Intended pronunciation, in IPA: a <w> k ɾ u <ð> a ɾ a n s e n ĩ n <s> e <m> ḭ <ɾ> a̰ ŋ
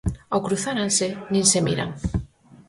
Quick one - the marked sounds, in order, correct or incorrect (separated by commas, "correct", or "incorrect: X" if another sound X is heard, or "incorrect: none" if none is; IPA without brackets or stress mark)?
correct, incorrect: θ, correct, correct, correct